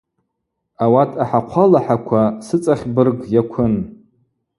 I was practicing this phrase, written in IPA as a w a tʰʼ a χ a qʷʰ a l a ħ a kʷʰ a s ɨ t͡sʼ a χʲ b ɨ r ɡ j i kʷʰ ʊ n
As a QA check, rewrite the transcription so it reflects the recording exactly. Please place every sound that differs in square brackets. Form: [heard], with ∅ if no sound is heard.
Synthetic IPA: a w a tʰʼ a [ħ] a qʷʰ a l a ħ a kʷʰ a s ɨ t͡sʼ a χʲ b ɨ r ɡ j [a] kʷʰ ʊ n

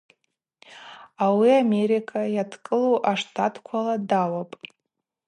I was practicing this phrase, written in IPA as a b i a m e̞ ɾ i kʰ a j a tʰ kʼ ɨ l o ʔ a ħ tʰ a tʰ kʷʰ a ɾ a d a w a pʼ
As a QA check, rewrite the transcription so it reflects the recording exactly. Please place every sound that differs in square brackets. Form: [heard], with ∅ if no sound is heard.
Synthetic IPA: a [w] i a m e̞ ɾ i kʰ a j a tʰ kʼ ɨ l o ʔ a [ʂ] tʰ a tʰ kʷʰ a [l] a d a w a pʼ

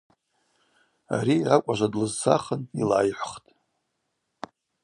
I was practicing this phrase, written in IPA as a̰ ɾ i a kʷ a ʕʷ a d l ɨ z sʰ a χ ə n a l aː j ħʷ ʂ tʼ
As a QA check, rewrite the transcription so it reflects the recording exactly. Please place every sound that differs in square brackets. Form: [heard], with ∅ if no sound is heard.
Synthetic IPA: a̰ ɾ i a [kʷʼ] a [ʒʷ] a d l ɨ z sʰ a χ ə n [i] l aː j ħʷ [χ] tʼ

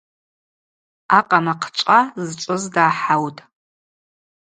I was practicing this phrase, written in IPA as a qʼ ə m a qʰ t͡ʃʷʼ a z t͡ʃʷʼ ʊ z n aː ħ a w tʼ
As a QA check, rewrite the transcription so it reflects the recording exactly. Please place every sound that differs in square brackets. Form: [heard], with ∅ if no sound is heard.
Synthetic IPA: a qʼ [a] m a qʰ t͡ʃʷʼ a z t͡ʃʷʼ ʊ z [d] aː ħ a w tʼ

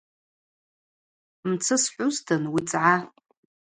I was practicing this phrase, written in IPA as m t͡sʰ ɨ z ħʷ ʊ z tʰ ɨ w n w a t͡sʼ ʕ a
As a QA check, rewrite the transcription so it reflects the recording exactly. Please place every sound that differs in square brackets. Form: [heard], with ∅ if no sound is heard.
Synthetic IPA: m t͡sʰ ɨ [s] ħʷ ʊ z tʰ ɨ [∅] n w [i] t͡sʼ ʕ a

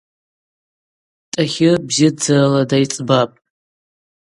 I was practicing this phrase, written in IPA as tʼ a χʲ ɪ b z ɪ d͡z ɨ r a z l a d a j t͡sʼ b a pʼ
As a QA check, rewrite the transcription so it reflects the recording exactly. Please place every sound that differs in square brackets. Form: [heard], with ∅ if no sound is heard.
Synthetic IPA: tʼ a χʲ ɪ b z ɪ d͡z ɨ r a [∅] l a d a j t͡sʼ b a pʼ

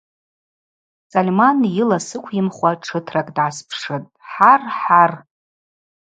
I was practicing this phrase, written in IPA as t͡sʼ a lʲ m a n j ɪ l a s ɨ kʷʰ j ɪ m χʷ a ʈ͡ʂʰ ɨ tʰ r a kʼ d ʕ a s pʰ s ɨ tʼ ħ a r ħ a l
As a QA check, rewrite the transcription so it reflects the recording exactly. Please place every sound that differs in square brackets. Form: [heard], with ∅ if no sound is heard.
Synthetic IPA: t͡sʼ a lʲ m a n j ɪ l a s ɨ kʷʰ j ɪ m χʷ a ʈ͡ʂʰ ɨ tʰ r a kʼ d ʕ a s pʰ [ʂ] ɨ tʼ ħ a r ħ a [r]

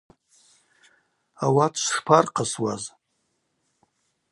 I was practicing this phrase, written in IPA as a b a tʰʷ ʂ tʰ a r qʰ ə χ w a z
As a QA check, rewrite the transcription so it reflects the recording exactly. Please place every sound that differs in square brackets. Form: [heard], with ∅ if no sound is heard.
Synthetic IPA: a [w] a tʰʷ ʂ [pʰ] a r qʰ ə [s] w a z

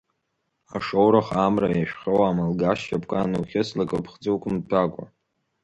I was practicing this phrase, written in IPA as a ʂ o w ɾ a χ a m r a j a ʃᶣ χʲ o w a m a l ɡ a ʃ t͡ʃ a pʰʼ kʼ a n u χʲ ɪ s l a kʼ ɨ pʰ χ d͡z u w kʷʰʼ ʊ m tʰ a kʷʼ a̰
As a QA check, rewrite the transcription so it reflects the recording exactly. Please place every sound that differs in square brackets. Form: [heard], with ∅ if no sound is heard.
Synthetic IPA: a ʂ o w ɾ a χ a m r a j a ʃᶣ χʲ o w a m a l ɡ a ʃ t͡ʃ a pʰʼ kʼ a n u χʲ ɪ s l a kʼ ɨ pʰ χ d͡z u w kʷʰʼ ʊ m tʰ a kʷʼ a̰

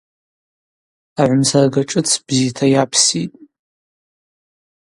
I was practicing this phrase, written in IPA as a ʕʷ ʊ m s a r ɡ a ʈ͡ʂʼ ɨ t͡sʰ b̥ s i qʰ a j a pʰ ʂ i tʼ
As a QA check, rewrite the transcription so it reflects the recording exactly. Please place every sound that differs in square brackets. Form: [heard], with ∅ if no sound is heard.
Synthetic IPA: a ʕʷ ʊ m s a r ɡ a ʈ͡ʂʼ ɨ t͡sʰ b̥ [z] i [tʰ] a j a pʰ [s] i tʼ

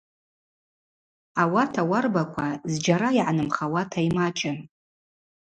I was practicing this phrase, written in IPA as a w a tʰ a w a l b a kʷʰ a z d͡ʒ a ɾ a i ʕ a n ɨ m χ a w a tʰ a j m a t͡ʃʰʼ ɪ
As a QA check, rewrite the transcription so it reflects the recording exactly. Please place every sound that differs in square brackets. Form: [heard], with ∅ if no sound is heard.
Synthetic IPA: a w a tʰ a w a [r] b a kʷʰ a z d͡ʒ a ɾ a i ʕ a n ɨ m χ a w a tʰ a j m a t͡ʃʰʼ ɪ

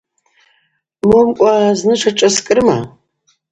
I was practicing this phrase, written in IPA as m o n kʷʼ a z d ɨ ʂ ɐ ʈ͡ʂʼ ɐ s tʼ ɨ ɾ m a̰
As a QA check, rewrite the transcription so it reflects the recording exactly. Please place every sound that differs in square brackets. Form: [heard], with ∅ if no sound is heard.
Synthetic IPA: m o [m] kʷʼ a z [n] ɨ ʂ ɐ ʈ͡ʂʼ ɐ s [kʼ] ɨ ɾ m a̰

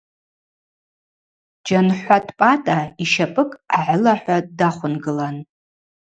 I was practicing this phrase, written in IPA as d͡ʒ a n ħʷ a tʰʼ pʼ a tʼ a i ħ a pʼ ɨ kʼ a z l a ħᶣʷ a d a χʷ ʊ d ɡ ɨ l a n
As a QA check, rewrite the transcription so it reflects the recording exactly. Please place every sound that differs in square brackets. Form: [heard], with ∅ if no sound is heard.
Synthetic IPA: d͡ʒ a n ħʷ a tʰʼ pʼ a tʼ a i [ʃ] a pʼ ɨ kʼ a [ʕ] l a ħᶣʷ a d a χʷ ʊ [n] ɡ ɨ l a n

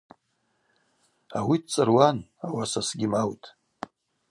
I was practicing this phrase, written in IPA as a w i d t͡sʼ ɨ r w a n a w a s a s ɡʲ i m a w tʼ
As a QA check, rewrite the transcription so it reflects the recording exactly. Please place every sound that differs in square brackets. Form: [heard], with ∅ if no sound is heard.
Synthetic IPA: a w i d t͡sʼ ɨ r w a n a w a s a s ɡʲ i m a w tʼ

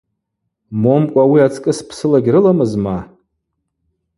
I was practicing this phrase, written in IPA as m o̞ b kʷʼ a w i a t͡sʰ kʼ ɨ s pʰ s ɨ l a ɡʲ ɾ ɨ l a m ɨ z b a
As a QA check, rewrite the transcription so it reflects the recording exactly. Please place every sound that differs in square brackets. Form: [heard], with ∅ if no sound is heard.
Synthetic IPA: m o̞ [m] kʷʼ a w i a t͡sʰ kʼ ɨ s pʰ s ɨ l a ɡʲ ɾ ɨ l a m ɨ z [m] a

